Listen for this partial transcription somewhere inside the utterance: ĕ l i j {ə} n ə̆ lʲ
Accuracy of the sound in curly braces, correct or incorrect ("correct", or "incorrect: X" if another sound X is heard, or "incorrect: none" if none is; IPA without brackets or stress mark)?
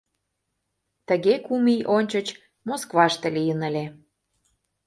correct